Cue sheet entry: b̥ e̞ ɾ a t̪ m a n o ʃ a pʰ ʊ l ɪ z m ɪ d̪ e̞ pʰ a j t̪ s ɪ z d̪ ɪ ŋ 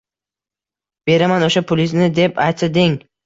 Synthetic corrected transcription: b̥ e̞ ɾ a m a n o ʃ a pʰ ʊ l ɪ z n ɪ d̪ e̞ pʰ a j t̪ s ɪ d̪ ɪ ŋ

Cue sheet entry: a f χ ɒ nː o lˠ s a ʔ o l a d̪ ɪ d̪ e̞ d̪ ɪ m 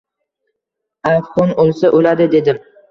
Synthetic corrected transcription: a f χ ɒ n o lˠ s a ʔ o l a d̪ ɪ d̪ e̞ d̪ ɪ m

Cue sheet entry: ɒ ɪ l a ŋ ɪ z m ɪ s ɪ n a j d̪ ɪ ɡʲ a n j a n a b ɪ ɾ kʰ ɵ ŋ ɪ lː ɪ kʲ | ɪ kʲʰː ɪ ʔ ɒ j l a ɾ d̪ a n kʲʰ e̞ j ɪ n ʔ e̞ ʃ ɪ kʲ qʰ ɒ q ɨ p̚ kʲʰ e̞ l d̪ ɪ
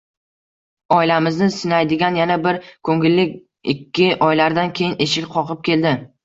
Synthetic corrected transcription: ɒ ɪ l a m ɪ z n ɪ s ɪ n a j d̪ ɪ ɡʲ a n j a n a b ɪ ɾ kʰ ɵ ŋ ɪ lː ɪ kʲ | ɪ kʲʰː ɪ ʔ ɒ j l a ɾ d̪ a n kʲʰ e̞ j ɪ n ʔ e̞ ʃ ɪ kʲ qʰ ɒ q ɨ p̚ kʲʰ e̞ l d̪ ɪ

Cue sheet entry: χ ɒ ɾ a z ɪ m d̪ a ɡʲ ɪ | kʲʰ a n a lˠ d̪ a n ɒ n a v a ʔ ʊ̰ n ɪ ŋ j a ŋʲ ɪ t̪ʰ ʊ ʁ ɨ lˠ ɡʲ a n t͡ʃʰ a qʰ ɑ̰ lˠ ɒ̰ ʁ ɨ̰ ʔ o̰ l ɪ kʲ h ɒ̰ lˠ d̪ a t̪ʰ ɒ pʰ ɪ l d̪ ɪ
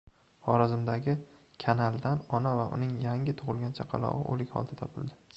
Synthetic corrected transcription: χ ɒ ɾ a z ɪ m d̪ a ɡʲ ɪ | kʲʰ a n a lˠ d̪ a n ɒ n a v a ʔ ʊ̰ n ɪ ŋ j a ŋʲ ɪ t̪ʰ ʊ ʁ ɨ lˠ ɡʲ a n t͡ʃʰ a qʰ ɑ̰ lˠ ɒ̰ ʁ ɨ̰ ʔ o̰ l ɪ kʲ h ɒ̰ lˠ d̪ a t̪ʰ ɒ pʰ ɪ l d̪ ɪ

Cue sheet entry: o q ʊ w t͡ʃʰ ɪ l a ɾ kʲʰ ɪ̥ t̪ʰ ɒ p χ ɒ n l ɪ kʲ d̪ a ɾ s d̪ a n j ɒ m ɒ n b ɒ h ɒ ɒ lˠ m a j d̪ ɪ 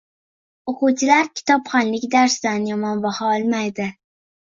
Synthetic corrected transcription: o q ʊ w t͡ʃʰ ɪ l a ɾ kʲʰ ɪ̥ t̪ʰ ɒ p χ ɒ n l ɪ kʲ d̪ a ɾ s d̪ a n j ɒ m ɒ n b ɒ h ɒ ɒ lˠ m a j d̪ ɪ

